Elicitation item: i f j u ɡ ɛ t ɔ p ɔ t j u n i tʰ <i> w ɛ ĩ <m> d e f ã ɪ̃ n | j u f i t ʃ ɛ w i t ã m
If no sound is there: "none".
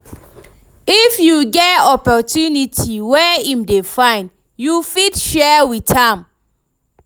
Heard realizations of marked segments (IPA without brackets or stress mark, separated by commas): i, m